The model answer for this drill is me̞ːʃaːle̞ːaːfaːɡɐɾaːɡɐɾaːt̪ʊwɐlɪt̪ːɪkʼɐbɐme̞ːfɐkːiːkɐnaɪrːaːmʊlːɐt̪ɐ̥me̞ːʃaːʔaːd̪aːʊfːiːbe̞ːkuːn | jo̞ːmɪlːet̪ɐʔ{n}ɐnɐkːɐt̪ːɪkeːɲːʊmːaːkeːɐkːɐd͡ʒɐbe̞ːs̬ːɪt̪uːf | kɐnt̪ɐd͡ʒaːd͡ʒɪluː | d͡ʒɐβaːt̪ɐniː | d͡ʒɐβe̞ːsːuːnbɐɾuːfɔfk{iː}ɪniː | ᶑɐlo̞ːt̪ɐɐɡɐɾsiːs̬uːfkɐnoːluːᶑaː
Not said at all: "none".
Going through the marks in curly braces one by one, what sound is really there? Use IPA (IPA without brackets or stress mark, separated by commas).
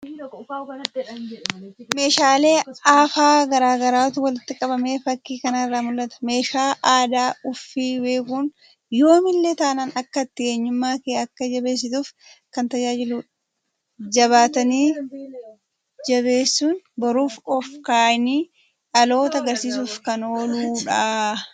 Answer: n, aː